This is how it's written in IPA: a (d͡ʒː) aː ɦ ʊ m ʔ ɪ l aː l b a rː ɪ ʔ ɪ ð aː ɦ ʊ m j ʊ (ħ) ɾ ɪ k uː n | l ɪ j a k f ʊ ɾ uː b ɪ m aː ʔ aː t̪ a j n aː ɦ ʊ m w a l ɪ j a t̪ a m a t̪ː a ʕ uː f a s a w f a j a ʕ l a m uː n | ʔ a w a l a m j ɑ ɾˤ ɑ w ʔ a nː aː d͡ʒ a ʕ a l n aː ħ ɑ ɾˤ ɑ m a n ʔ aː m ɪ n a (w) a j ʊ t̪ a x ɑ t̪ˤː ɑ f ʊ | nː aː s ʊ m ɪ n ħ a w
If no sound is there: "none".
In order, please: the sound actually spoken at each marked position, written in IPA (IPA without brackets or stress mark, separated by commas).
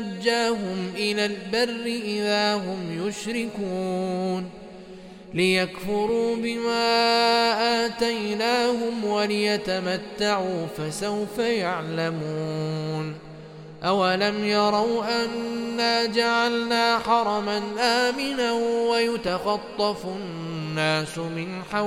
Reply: d͡ʒː, ʃ, w